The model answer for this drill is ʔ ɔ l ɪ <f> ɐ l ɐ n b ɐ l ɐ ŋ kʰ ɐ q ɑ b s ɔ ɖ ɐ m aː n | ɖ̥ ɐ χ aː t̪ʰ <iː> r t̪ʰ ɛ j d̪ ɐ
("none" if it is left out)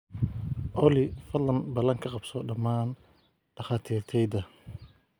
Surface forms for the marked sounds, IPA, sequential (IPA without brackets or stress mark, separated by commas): f, iː